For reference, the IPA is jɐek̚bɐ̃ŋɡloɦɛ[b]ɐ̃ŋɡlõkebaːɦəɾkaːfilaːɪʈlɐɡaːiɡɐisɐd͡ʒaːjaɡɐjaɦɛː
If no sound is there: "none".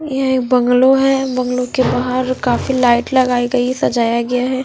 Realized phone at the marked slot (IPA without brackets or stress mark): b